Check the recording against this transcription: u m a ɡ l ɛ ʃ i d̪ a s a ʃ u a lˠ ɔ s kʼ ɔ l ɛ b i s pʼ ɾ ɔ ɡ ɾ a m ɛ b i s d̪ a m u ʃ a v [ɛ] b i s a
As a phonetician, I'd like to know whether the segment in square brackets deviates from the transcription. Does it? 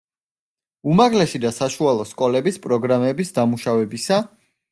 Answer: no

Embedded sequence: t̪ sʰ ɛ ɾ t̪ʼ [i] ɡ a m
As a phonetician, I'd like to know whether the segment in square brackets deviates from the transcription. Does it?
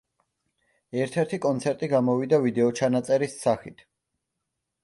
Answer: no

